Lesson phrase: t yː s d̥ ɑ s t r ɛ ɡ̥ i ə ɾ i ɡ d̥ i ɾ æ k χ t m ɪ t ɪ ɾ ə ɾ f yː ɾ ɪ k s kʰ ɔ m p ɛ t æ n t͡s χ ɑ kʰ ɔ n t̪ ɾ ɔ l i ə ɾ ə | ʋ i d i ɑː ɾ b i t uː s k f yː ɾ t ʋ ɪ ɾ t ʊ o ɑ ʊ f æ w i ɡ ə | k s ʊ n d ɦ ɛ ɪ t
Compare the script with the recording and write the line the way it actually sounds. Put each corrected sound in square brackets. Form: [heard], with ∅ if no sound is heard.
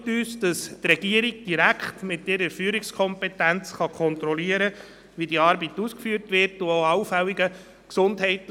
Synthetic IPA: t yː s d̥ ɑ s t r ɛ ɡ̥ i ə ɾ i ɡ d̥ i ɾ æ k χ t m ɪ t ɪ ɾ ə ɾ f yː ɾ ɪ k s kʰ ɔ m p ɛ t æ n t͡s χ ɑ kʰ ɔ n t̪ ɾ ɔ l i ə ɾ ə | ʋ i d i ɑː ɾ b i t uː s k f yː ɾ t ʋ ɪ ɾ t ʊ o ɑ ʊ f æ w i ɡ ə | k s ʊ n d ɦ ɛ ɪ t

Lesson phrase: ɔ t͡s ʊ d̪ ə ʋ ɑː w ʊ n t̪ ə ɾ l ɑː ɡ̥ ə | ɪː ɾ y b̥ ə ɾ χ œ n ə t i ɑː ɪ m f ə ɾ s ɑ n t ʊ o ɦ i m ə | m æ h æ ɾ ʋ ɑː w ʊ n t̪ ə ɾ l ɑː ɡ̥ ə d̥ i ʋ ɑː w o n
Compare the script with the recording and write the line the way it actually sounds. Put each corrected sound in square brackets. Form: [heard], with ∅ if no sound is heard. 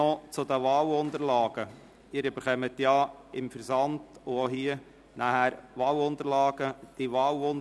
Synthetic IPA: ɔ t͡s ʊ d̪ ə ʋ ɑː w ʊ n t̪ ə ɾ l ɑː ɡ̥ ə | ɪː ɾ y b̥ ə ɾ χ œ [m] ə t [j] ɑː ɪ m f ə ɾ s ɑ n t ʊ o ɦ i [∅] ə | [n] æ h æ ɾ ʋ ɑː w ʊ n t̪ ə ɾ l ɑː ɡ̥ ə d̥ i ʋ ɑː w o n

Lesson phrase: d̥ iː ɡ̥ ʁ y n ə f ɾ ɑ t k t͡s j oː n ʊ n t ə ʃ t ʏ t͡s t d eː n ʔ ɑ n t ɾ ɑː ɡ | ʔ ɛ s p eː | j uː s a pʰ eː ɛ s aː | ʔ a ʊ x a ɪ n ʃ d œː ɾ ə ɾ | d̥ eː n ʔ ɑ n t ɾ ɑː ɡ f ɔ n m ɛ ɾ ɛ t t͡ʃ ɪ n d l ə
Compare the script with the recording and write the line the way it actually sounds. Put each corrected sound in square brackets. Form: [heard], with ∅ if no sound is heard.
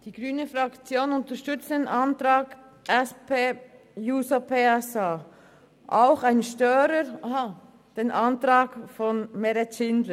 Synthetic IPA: d̥ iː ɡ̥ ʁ [yː] n ə f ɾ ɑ [∅] k t͡s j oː n ʊ n t ə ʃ t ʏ t͡s t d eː n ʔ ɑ n t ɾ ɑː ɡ | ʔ ɛ s p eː | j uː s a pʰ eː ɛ s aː | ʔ a ʊ x a ɪ n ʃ [t] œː ɾ ə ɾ | d̥ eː n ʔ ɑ n t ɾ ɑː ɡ f ɔ n m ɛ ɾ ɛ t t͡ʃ ɪ n d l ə

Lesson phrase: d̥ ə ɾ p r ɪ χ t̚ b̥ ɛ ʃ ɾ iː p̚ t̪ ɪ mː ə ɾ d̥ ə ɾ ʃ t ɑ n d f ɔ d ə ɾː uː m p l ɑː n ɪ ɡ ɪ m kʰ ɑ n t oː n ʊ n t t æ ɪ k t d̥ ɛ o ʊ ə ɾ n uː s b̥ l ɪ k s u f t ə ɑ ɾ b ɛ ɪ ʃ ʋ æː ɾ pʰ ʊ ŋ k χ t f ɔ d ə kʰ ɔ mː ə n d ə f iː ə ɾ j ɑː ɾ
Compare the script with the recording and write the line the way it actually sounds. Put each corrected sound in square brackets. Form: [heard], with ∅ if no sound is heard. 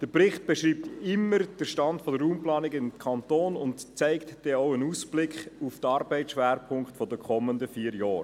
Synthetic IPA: d̥ ə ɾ p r ɪ χ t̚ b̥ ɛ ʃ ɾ iː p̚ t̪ ɪ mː ə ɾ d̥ ə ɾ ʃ t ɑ n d f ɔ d ə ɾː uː m p l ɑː n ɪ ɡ ɪ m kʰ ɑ n t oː n ʊ n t [t͡s] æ ɪ k t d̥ ɛ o ʊ ə [∅] n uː s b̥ l ɪ k [χ] u f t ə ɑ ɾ b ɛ ɪ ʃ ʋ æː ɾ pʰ ʊ ŋ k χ t f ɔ d ə kʰ ɔ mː ə n d ə f iː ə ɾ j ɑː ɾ

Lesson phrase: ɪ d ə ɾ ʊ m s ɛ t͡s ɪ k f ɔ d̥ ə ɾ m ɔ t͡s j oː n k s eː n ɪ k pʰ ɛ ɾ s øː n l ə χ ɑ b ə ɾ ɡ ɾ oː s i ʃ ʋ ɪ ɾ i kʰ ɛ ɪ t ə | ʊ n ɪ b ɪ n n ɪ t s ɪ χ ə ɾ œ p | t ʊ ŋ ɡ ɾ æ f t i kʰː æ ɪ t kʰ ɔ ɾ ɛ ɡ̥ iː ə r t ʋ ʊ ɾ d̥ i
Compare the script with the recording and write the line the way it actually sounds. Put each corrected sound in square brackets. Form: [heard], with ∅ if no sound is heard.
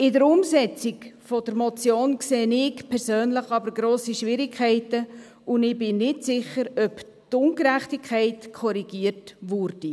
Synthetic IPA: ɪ d ə ɾ ʊ m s ɛ t͡s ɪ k f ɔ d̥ ə ɾ m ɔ t͡s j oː n k s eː n ɪ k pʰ ɛ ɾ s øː n l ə χ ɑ b ə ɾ ɡ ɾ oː s i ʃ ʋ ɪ ɾ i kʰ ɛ ɪ t ə | ʊ n ɪ b ɪ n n ɪ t s ɪ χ ə ɾ œ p | t ʊ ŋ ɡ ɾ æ [χ] t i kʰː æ ɪ t kʰ ɔ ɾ [i] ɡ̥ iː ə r t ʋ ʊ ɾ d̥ i

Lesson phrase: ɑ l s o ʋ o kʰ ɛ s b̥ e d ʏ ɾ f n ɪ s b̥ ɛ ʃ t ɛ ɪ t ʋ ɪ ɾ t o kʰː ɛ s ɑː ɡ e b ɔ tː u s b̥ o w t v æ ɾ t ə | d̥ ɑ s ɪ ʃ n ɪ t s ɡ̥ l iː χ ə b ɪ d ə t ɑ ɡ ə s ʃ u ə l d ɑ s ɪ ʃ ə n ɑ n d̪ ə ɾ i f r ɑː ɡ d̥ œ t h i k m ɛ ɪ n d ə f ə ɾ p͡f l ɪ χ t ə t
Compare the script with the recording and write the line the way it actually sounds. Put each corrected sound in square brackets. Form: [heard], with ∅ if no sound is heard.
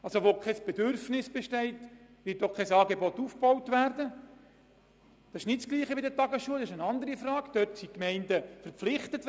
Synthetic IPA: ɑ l s o ʋ o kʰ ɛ s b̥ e d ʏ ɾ f n ɪ s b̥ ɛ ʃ t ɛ ɪ t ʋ ɪ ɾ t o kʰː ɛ s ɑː ɡ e b ɔ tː u [f] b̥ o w t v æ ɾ [d] ə | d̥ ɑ s ɪ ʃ n ɪ t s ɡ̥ l iː χ ə b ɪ d ə t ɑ ɡ ə s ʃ u ə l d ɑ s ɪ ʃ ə n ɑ n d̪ ə ɾ i f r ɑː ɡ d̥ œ t [s] i k m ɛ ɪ n d ə f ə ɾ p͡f l ɪ χ t ə t

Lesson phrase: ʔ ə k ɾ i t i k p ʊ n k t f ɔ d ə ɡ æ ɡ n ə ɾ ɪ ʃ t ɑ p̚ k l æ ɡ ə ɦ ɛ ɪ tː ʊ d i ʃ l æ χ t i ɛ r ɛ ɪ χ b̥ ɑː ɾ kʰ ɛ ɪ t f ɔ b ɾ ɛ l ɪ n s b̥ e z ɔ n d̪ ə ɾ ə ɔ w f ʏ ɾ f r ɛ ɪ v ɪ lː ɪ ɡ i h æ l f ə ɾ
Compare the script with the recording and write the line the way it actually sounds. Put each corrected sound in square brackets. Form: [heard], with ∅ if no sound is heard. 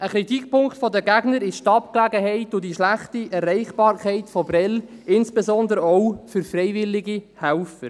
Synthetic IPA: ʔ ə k ɾ i t i k p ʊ [ŋ] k t f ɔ d ə ɡ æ ɡ n ə ɾ ɪ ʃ t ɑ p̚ k l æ ɡ ə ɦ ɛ ɪ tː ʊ d i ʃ l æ χ t i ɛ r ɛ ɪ χ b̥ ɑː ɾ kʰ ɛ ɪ t f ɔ b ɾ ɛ l ɪ n s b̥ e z ɔ n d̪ ə ɾ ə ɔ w f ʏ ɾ f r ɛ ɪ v ɪ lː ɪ ɡ i h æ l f ə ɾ

